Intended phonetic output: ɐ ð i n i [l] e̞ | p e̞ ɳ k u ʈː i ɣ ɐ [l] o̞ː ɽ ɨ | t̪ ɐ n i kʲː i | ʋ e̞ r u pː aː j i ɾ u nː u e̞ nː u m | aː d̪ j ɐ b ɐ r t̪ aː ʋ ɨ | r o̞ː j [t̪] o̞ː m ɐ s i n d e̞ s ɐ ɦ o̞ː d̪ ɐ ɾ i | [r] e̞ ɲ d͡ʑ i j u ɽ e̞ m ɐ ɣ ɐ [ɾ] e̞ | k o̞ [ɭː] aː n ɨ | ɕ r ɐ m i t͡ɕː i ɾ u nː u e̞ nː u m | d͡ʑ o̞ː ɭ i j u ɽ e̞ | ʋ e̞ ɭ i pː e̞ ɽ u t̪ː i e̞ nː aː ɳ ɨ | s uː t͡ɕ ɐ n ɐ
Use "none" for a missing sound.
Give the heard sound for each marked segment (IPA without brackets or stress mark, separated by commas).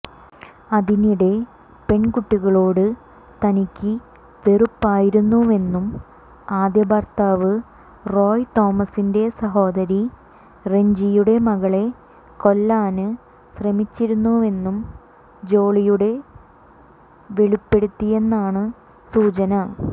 ɽ, ɭ, t̪, r, ɭ, lː